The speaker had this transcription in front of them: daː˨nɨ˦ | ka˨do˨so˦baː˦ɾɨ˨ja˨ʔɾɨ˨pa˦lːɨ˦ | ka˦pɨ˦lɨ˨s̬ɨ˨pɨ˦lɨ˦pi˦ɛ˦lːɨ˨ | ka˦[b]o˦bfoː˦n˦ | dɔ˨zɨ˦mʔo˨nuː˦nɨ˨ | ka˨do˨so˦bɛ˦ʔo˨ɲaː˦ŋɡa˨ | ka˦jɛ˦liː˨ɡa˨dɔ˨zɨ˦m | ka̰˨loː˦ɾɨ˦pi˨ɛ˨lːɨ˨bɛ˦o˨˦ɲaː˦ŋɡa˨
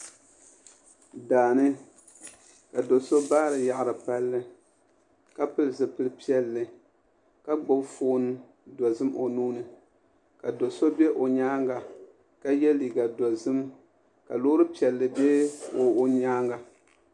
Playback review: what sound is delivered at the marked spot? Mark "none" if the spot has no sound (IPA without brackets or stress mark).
ɡ͡b